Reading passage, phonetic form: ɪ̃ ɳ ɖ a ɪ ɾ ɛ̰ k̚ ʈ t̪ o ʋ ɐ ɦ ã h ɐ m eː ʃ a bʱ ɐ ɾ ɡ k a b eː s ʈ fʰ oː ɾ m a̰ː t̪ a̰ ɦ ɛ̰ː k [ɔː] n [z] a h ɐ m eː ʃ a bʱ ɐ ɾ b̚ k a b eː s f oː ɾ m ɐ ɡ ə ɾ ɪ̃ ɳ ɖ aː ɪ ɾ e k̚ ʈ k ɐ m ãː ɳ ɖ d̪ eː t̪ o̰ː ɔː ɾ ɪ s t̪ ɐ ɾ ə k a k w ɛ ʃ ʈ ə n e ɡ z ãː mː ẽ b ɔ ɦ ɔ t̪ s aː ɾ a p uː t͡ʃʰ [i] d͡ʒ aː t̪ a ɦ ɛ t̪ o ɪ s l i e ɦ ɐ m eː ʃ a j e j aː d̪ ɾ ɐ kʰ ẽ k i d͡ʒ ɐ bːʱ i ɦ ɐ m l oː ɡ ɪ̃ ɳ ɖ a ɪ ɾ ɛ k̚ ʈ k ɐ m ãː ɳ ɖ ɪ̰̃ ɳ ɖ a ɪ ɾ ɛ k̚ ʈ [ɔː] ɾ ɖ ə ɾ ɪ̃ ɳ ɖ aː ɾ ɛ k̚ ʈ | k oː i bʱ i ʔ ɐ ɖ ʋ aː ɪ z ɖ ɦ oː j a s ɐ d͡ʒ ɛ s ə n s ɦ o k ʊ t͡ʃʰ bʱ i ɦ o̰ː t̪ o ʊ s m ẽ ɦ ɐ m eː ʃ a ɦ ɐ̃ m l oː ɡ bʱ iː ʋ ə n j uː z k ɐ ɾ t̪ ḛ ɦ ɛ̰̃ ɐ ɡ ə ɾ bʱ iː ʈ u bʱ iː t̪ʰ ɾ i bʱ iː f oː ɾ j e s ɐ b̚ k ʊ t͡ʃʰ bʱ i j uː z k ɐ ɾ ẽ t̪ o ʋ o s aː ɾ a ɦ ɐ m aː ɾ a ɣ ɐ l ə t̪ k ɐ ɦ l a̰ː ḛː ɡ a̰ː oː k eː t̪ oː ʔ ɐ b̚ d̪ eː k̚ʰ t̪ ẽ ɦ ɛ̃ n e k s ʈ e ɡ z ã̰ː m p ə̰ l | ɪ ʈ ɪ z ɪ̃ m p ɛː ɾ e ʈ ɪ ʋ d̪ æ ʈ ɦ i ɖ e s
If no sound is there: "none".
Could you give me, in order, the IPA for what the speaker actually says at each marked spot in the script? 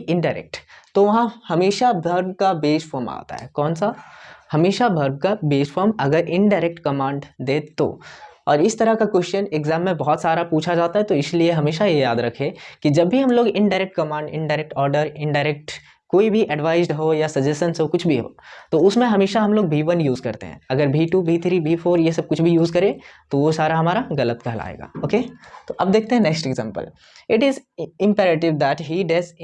ɔː, s, a, ɔː

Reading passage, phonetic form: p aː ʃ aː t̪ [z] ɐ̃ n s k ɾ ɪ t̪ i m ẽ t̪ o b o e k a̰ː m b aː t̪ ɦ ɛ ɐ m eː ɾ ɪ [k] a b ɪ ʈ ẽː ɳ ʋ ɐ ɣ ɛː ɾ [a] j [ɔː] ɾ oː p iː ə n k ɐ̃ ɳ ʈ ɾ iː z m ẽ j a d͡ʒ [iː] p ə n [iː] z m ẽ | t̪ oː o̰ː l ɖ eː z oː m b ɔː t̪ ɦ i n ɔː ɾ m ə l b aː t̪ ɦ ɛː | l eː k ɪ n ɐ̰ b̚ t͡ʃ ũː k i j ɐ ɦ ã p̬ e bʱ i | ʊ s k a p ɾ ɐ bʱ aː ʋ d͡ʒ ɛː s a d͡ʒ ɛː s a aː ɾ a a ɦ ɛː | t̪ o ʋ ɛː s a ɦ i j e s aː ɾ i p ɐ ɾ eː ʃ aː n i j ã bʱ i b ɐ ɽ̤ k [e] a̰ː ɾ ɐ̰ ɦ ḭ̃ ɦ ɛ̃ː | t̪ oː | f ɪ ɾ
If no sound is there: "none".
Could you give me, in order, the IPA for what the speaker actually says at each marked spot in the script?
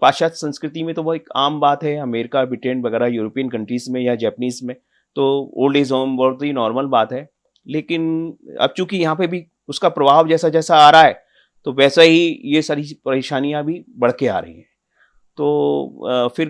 s, k, a, uː, ɛː, iː, e

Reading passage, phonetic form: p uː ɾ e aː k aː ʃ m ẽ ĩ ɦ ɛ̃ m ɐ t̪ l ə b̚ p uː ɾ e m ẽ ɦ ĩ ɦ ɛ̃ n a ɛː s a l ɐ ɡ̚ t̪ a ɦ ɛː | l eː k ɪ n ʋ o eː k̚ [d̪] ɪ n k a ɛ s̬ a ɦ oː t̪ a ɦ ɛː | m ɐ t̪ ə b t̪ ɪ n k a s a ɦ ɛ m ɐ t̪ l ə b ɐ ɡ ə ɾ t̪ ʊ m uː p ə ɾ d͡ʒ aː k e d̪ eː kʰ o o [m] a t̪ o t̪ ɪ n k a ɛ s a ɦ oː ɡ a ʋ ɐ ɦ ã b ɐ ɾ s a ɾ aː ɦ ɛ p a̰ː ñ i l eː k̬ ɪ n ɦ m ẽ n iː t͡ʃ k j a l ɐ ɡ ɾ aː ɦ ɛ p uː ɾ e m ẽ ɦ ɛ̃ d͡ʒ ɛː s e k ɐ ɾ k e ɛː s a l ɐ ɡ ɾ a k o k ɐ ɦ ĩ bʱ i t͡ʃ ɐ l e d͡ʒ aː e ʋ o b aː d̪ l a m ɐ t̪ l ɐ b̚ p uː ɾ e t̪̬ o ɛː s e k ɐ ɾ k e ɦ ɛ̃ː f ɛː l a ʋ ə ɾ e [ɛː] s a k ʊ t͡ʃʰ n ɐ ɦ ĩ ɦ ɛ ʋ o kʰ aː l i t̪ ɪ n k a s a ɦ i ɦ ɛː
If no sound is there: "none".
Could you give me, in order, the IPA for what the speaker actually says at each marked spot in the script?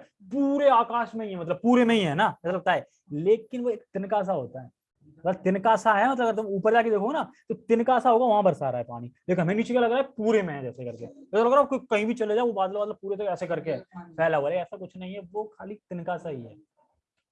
t̪, n, ɛː

